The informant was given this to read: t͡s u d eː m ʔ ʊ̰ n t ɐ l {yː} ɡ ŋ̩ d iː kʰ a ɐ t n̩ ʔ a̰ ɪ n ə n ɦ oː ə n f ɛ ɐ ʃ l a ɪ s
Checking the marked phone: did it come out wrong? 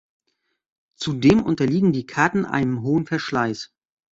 yes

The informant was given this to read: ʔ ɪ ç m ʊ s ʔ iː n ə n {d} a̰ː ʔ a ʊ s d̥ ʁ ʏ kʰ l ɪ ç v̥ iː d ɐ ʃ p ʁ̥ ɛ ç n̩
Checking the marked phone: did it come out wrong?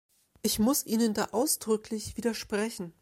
no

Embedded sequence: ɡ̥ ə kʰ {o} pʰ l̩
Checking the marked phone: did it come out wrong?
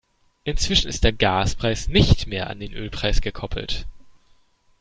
yes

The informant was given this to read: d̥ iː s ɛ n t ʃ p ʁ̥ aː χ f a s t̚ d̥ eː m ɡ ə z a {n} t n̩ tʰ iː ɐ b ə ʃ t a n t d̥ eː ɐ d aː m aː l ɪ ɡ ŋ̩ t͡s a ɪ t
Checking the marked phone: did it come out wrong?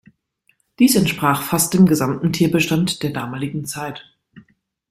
yes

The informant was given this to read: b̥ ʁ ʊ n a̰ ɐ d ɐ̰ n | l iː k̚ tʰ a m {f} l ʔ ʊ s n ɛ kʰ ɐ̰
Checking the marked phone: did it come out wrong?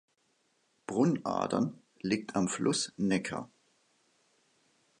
no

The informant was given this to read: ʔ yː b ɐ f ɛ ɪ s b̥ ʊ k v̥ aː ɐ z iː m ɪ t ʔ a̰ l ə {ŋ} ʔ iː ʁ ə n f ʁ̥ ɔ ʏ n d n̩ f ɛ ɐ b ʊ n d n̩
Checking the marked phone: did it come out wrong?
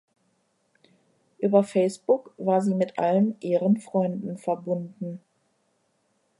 yes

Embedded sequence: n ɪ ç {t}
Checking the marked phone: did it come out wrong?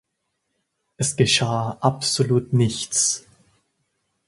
yes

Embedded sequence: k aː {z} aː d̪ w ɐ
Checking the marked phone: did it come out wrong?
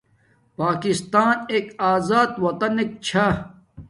no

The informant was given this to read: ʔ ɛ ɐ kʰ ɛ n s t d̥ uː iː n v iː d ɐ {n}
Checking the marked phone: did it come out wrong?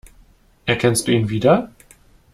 yes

